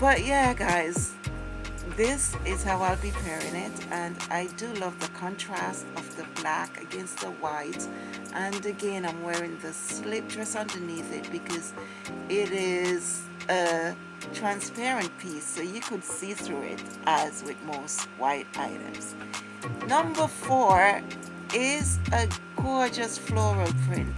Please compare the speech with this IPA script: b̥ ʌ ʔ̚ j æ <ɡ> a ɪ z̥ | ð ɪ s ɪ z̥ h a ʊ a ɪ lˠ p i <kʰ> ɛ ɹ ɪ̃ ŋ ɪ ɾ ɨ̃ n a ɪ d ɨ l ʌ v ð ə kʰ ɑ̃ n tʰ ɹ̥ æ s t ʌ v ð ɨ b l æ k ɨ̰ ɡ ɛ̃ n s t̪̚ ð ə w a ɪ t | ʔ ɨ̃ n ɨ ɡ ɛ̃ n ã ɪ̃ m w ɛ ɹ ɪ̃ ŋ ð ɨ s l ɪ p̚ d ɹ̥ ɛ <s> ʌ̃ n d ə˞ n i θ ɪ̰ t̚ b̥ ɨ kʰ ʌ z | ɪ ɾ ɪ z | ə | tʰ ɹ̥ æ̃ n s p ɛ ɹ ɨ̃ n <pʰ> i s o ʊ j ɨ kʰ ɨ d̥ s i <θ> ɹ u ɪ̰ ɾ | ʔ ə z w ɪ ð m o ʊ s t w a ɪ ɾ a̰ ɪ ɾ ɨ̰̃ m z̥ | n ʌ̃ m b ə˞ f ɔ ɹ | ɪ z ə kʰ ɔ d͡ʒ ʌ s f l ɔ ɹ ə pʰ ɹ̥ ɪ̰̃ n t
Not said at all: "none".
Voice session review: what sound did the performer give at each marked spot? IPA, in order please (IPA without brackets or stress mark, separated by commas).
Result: ɡ, pʰ, s, pʰ, θ